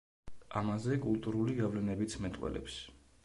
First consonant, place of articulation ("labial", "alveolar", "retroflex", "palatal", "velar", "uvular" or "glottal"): labial